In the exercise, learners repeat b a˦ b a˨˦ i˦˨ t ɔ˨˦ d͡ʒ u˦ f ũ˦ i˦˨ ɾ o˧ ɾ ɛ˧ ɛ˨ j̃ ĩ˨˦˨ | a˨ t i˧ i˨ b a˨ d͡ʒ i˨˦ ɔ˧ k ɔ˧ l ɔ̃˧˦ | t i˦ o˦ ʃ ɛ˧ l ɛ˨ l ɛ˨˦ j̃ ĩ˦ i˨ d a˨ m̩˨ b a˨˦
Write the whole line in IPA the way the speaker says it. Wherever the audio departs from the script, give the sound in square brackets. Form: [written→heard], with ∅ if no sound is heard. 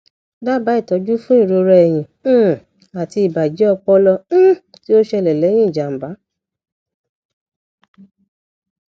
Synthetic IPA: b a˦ b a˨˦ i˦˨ t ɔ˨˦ d͡ʒ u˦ f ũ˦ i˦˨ ɾ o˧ ɾ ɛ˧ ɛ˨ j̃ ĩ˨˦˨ | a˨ t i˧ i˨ b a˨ d͡ʒ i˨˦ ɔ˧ [k→k͡p] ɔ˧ l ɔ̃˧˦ | t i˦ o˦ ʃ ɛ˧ l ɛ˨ l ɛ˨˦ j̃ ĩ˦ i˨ [d→d͡ʒ] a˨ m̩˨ b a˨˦